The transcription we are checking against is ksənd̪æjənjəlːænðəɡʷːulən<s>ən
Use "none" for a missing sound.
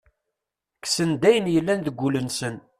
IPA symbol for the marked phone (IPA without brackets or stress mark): s